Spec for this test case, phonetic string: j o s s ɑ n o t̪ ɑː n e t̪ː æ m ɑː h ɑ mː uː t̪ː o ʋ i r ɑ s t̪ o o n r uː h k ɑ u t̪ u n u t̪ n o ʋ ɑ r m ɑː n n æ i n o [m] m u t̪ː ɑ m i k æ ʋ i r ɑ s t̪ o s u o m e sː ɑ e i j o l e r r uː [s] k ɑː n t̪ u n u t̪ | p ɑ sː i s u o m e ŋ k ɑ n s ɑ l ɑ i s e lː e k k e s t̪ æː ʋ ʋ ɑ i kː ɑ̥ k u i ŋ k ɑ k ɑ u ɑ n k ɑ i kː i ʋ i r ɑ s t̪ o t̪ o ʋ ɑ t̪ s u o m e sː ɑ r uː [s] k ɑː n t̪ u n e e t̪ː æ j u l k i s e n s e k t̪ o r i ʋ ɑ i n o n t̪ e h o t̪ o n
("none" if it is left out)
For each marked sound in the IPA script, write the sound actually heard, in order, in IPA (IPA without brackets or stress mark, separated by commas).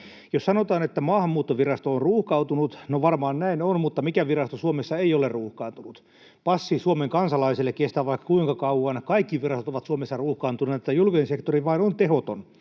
n, h, h